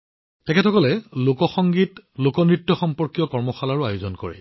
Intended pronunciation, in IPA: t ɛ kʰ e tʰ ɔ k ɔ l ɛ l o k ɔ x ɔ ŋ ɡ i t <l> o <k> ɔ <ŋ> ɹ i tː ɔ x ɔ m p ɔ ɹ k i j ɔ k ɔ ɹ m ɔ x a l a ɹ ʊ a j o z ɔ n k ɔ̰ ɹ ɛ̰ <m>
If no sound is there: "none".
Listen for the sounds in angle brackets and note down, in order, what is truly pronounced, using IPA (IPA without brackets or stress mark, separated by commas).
l, k, n, none